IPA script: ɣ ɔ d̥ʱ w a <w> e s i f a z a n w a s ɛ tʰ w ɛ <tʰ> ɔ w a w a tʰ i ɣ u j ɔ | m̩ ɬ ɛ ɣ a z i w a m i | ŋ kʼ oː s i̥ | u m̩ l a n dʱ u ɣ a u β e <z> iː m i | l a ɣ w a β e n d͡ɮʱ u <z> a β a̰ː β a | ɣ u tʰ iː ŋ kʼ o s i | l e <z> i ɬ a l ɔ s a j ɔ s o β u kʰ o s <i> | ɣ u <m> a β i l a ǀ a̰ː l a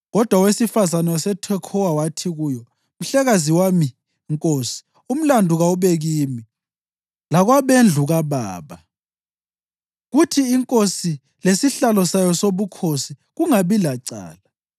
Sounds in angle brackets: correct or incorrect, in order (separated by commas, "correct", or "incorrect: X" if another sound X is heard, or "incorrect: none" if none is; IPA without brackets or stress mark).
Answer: correct, incorrect: kʰ, incorrect: ɣ, incorrect: ɣ, incorrect: s, correct, incorrect: ŋ